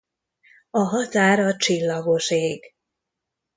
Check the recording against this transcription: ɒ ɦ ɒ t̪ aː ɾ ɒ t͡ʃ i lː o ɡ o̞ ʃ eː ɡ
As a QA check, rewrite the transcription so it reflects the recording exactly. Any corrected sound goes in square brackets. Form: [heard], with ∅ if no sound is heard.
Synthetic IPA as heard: ɒ ɦ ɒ t̪ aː ɾ ɒ t͡ʃ i lː [ɒ] ɡ o̞ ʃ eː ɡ